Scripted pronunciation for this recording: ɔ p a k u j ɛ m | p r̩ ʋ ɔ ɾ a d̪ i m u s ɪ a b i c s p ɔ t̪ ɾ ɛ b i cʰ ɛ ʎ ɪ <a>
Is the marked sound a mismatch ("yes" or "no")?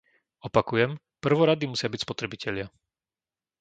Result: no